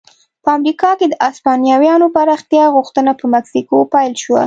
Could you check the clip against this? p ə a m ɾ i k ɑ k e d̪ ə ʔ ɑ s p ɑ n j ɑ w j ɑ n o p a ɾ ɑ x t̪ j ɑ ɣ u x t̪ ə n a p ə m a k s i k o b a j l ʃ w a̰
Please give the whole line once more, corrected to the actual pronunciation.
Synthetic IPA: p ə a m ɾ i k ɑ k e d̪ ə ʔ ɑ s p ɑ n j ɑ w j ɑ n o p a ɾ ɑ x t̪ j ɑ ɣ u x t̪ ə n a p ə m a k s i k o p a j l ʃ w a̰